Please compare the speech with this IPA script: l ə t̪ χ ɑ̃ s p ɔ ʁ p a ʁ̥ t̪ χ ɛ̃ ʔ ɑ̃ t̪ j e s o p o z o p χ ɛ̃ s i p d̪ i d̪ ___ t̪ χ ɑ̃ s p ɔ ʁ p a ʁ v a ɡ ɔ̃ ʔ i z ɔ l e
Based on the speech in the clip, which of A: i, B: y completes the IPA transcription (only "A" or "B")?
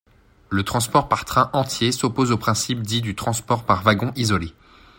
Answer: B